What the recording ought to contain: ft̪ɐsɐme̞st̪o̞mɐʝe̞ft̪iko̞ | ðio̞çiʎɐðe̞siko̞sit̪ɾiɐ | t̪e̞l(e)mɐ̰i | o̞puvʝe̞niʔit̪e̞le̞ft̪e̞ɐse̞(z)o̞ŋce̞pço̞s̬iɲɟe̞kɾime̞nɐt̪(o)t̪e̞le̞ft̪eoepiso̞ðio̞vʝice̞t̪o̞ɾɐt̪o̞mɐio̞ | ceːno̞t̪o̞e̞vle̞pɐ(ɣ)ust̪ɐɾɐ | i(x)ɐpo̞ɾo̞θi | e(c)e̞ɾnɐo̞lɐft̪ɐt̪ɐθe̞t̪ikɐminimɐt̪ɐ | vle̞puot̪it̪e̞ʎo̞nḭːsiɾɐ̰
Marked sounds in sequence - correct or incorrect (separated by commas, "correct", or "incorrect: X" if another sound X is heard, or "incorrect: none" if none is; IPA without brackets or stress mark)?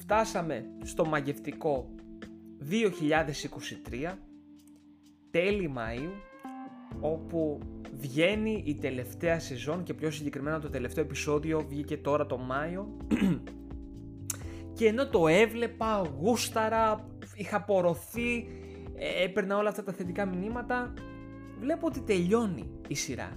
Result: incorrect: i, correct, correct, correct, correct, incorrect: p